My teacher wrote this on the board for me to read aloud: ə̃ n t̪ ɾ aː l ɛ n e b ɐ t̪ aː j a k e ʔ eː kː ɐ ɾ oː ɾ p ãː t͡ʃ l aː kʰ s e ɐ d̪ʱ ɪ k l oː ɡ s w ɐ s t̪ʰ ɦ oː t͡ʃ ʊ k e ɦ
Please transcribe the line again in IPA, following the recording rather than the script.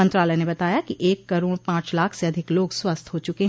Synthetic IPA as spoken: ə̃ n t̪ ɾ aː l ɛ n e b ɐ t̪ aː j a k i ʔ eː kː ɐ ɾ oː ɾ p ãː t͡ʃ l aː kʰ s e ɐ d̪ʱ ɪ k l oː ɡ s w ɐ s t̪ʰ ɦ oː t͡ʃ ʊ k e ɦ